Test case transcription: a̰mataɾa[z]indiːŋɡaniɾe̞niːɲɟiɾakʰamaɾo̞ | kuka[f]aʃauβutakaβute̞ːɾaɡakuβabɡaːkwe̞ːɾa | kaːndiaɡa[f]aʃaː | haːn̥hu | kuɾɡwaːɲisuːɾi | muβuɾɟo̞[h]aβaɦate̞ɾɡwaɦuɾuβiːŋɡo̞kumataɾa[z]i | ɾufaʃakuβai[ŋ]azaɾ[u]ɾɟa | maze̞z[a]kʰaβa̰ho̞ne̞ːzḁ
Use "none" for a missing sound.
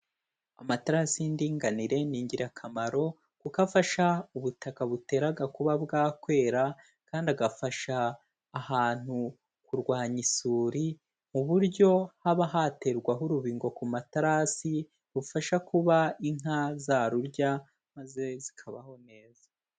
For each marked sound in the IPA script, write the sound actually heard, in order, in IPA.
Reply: s, f, f, h, s, ŋ, u, i

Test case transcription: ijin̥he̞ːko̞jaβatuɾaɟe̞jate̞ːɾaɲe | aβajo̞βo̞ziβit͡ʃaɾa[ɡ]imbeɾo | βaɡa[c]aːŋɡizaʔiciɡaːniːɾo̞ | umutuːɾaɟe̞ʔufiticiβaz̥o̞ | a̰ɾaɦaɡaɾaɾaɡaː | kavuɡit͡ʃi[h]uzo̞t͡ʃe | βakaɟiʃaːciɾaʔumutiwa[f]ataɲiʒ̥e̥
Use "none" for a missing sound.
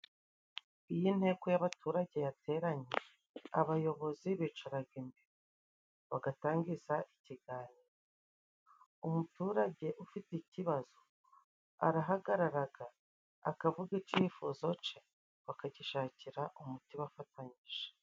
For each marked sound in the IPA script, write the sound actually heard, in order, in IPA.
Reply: ɡ, t, f, f

